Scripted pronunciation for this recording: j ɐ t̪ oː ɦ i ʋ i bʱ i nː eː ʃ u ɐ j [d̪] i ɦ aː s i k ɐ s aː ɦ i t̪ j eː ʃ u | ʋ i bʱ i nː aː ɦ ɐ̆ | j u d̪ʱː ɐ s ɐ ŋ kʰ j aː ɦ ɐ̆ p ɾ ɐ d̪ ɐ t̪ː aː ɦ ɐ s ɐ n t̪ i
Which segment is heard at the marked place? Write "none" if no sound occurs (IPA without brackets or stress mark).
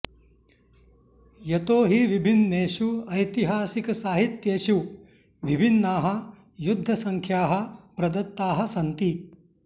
t̪